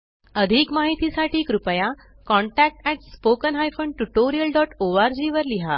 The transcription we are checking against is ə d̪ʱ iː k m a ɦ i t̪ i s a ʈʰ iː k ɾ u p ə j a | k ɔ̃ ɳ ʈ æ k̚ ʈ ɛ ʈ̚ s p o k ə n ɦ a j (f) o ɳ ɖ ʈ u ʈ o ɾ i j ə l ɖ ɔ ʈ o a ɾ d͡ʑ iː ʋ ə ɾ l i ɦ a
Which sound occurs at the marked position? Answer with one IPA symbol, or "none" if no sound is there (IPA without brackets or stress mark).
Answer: f